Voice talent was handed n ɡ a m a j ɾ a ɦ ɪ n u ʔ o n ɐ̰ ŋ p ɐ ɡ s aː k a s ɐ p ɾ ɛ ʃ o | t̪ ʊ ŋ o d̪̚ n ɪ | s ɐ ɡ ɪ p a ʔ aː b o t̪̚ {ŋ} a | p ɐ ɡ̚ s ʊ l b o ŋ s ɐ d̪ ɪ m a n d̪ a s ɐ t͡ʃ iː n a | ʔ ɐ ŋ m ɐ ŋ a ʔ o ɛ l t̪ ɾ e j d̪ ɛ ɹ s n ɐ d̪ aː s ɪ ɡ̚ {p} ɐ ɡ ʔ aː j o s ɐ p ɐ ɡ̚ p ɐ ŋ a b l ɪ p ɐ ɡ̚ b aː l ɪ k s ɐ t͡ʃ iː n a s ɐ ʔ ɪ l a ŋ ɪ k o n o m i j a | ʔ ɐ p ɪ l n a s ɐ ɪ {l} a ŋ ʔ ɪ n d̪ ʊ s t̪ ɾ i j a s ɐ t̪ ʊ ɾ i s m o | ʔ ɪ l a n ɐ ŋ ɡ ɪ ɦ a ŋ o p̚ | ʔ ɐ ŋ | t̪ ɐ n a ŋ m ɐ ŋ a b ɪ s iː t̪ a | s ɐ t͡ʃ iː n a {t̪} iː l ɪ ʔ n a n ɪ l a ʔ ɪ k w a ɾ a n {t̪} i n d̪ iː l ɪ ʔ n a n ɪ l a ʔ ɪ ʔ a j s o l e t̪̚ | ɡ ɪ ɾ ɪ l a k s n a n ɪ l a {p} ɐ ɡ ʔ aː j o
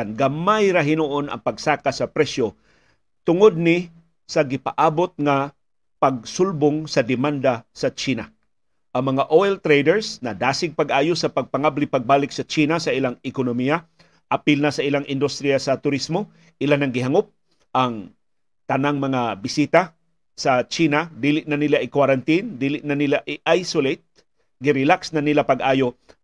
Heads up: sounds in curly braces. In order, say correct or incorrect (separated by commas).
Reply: correct, correct, correct, incorrect, correct, correct